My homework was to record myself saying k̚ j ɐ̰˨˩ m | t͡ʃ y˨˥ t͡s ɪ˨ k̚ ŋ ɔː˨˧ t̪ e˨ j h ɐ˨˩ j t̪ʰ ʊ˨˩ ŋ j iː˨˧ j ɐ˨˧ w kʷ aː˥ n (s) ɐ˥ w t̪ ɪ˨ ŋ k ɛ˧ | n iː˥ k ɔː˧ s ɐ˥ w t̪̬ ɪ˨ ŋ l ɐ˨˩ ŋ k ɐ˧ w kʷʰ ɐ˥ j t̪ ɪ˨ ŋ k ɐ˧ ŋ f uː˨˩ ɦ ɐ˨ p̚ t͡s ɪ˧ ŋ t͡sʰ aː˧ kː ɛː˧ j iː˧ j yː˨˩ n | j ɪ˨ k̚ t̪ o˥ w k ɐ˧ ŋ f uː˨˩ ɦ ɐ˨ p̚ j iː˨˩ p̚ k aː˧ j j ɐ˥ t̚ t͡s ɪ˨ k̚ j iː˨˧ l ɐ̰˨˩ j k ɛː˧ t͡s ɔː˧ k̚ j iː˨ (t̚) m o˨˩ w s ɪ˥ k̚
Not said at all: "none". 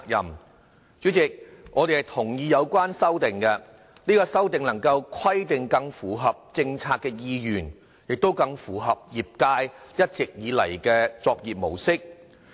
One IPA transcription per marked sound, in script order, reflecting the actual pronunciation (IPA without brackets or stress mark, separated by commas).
s, p̚